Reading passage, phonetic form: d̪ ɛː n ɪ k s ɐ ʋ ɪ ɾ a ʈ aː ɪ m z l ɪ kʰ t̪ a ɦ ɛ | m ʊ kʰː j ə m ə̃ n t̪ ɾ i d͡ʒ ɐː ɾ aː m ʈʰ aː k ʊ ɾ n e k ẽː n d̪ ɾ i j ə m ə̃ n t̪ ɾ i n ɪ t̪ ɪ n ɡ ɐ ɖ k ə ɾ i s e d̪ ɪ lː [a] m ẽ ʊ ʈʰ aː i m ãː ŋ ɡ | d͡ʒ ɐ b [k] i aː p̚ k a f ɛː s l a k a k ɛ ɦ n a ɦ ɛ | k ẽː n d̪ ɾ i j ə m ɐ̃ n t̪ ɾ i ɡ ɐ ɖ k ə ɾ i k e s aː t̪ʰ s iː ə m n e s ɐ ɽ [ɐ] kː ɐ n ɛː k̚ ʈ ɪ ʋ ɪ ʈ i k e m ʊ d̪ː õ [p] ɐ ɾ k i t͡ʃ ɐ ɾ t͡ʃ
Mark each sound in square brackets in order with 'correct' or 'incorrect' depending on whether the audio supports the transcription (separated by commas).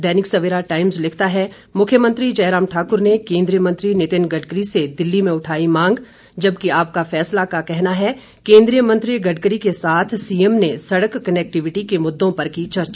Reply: incorrect, correct, incorrect, correct